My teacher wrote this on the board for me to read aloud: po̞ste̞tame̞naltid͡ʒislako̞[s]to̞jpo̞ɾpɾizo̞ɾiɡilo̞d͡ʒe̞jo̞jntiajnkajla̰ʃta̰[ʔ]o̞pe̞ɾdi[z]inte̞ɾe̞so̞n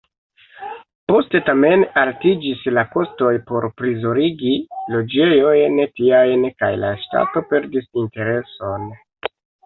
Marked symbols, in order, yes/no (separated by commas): yes, no, no